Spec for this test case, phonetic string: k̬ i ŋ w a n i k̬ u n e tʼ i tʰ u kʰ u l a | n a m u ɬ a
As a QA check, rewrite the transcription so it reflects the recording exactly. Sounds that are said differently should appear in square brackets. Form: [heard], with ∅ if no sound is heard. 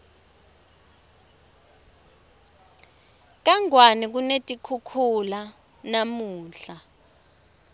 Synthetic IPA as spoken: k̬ [a] ŋ w a n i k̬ u n e tʼ i [kʰ] u kʰ u l a | n a m [uː] ɬ a

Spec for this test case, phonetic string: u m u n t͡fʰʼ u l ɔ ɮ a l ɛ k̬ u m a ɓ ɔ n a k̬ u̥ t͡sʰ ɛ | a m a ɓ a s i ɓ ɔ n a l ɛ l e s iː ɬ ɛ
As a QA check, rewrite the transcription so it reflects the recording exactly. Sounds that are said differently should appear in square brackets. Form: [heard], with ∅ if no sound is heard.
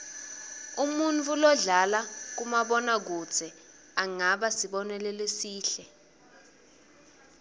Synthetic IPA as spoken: u m u n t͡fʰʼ u l ɔ ɮ a l [a] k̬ u m a ɓ ɔ n a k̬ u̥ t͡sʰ ɛ | a [ŋ] a ɓ a s i ɓ ɔ n [ɛ] l ɛ l e s iː ɬ ɛ

